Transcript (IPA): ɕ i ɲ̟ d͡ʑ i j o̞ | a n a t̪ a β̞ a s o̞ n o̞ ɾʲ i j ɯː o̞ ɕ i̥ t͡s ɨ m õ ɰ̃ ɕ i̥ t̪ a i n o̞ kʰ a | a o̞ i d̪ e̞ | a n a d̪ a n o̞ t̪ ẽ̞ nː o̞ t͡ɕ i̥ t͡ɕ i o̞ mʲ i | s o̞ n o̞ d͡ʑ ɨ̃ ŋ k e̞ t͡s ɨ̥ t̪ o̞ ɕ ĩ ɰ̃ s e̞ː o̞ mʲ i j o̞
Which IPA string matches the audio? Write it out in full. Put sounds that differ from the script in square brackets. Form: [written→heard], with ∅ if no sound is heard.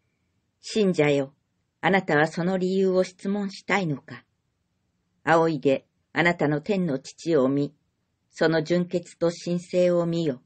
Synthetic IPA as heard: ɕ [i→ĩ] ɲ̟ d͡ʑ [i→a] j o̞ | a n a t̪ a β̞ a s o̞ n o̞ ɾʲ i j ɯː o̞ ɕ i̥ t͡s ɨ m õ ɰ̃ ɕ i̥ t̪ a i n o̞ [kʰ→k] a | a o̞ i d̪ e̞ | a n a [d̪→t̪] a n o̞ t̪ ẽ̞ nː o̞ t͡ɕ i̥ t͡ɕ i o̞ mʲ i | s o̞ n o̞ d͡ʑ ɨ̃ ŋ k e̞ t͡s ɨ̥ t̪ o̞ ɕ ĩ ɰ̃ s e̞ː o̞ mʲ i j o̞